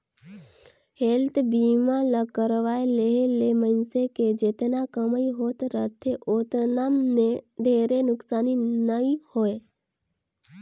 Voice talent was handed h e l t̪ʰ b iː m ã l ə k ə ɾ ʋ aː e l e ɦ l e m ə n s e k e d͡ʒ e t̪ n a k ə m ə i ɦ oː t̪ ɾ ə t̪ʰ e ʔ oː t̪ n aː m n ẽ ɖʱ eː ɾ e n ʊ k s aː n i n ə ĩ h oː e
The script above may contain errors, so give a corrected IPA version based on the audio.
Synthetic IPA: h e l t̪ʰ b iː m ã l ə k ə ɾ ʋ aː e l e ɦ l e m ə n s e k e d͡ʒ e t̪ n a k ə m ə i ɦ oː t̪ ɾ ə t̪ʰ e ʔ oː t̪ n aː m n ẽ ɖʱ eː ɾ e n ʊ k s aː n i n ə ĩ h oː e